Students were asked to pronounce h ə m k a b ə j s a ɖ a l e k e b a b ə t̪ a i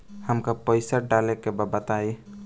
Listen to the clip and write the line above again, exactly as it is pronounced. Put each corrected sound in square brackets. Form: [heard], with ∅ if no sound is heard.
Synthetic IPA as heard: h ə m k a [p] ə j s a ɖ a l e k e b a b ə t̪ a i